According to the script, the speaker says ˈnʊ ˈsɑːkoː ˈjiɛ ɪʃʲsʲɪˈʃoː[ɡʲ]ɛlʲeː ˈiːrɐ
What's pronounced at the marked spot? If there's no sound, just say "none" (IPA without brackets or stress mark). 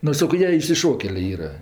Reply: kʲ